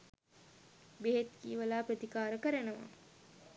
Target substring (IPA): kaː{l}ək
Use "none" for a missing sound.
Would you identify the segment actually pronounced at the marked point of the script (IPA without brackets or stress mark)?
ɾ